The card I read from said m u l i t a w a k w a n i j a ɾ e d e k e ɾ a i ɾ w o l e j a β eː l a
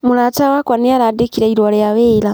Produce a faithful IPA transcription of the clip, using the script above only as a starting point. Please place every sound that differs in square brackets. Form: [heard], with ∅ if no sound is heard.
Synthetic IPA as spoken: m u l [a] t a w a k w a n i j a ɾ [a] d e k [i] ɾ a i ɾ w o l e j a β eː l a